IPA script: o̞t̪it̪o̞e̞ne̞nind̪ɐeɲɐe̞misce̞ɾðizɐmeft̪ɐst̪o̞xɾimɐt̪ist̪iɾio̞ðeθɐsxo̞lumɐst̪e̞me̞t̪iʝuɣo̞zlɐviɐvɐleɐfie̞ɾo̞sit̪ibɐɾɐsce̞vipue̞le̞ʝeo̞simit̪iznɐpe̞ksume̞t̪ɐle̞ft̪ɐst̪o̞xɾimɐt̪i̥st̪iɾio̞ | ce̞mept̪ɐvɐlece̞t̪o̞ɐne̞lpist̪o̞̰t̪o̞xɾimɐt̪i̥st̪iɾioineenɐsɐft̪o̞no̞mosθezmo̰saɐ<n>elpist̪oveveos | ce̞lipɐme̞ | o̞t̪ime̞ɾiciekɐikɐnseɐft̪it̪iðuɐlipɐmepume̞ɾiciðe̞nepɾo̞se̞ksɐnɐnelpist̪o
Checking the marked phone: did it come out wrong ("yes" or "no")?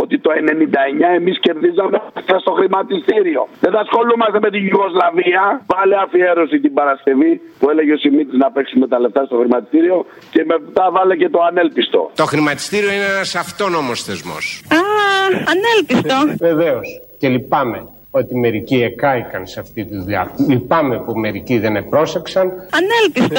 no